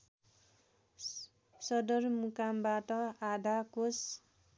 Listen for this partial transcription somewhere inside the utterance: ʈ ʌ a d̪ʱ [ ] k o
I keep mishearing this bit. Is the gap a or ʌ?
a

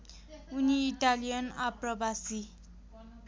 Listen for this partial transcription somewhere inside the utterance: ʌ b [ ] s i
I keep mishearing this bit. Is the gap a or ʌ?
a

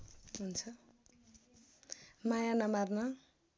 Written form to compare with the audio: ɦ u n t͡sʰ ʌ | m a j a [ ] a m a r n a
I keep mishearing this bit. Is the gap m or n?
n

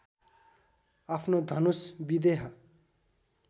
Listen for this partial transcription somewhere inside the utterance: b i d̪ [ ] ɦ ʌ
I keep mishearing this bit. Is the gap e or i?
e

